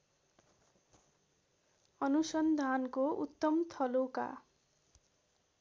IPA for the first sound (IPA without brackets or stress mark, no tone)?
ʌ